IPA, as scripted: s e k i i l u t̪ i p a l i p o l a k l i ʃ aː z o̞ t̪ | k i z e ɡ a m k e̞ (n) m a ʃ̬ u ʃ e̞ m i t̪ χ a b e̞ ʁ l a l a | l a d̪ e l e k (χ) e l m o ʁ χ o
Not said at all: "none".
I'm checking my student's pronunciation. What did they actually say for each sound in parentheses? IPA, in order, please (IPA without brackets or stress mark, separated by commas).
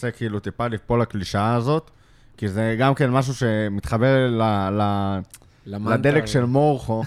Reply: n, ʃ